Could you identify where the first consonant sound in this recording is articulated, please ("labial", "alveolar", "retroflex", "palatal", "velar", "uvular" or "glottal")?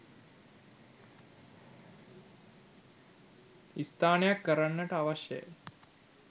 alveolar